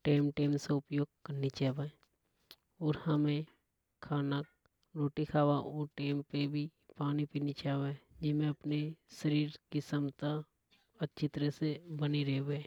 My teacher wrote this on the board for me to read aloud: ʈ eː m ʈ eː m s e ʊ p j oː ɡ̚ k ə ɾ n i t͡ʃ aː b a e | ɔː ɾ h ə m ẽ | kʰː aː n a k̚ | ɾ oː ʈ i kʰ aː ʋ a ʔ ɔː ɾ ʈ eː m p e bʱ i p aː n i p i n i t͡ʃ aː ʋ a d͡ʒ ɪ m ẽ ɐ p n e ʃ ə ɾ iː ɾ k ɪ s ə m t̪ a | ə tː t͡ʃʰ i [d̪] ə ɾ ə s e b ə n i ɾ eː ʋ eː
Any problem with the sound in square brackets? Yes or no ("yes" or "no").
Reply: yes